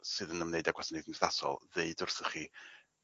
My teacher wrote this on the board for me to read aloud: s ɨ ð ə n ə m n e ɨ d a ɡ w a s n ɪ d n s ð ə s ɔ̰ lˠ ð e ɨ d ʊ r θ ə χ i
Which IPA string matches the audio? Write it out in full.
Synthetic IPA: s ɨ ð ə n ə m n e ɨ d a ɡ w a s n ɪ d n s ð a s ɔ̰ lˠ ð e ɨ d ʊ r θ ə χ i